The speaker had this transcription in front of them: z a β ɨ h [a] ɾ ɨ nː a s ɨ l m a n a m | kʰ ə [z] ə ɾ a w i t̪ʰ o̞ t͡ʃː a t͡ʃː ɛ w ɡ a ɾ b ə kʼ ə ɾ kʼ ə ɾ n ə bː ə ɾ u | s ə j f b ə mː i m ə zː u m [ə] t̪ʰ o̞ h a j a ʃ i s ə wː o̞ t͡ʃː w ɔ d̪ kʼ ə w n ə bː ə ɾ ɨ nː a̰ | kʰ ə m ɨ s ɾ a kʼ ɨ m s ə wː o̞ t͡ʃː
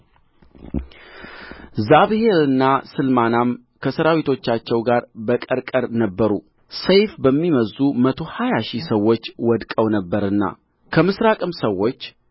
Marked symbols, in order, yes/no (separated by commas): no, no, yes